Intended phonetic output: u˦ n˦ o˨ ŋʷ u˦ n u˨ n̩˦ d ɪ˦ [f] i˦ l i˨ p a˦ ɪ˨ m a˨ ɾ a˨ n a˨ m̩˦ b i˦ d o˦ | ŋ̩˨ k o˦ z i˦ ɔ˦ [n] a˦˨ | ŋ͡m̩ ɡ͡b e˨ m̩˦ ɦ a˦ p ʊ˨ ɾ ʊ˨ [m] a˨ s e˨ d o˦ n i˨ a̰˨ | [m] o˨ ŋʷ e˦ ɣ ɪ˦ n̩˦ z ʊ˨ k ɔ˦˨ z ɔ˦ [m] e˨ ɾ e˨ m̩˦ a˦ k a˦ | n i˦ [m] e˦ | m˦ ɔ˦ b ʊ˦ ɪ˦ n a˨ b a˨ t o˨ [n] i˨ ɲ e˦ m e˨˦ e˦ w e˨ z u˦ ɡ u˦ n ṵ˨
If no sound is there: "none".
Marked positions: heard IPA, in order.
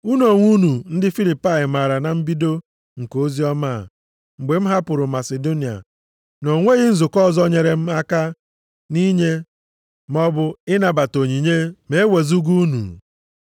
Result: f, m, m, n, ɲ, ɲ, ɲ

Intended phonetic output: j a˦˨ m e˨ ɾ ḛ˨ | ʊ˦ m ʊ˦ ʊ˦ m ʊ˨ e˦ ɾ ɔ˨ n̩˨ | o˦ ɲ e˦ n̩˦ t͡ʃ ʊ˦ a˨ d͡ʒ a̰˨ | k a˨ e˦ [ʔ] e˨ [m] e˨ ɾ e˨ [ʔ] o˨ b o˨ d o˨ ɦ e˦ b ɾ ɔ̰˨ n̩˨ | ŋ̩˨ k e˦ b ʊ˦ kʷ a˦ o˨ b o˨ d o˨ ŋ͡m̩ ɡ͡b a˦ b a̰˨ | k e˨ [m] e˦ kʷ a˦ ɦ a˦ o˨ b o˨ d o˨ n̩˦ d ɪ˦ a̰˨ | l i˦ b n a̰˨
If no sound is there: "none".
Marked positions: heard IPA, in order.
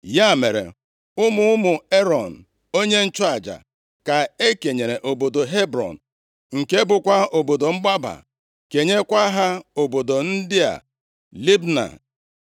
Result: k, ɲ, ʔ, ɲ

